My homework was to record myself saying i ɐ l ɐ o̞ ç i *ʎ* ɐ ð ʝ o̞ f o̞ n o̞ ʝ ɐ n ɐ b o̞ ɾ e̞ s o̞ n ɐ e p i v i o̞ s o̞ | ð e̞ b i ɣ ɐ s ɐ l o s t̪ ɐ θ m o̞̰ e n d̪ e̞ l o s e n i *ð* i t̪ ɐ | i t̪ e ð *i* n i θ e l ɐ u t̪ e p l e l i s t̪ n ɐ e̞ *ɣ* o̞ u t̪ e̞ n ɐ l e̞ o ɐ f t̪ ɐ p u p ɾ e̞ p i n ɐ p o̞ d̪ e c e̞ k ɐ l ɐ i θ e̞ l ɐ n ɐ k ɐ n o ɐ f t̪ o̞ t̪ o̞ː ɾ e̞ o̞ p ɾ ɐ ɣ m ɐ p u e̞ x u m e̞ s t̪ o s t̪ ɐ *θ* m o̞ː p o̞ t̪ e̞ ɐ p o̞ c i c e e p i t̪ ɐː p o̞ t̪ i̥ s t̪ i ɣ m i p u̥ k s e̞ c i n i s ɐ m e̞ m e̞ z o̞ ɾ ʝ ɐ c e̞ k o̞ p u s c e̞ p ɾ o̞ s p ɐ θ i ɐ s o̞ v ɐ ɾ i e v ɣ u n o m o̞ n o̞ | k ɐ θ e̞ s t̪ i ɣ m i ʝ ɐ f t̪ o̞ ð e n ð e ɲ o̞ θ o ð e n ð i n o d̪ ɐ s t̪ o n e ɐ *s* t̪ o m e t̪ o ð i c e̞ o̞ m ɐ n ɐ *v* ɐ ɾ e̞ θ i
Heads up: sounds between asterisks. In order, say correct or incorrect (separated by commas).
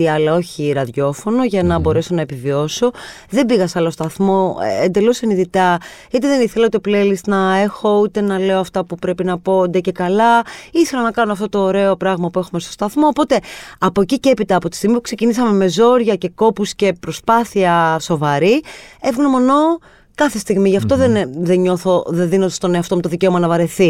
incorrect, correct, incorrect, incorrect, correct, incorrect, correct